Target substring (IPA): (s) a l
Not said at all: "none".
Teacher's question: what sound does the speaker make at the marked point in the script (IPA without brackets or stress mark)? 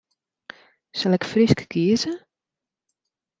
s